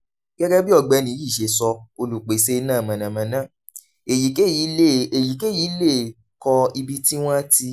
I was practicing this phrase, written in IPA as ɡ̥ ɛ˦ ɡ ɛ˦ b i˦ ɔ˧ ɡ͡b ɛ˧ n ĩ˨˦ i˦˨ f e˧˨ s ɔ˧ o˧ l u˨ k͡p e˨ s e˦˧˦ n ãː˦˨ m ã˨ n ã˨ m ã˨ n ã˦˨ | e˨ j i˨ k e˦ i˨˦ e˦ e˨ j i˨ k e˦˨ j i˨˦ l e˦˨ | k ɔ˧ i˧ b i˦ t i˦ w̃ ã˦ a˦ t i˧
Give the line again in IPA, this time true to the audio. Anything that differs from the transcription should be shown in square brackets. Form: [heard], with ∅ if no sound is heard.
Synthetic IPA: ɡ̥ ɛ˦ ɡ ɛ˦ b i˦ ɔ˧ ɡ͡b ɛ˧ n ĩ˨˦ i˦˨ [ʃ] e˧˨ s ɔ˧ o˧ l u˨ k͡p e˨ s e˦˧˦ n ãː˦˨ m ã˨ n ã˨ m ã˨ n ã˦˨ | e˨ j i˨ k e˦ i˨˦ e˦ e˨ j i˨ k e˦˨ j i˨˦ l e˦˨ | k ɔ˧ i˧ b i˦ t i˦ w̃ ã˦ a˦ t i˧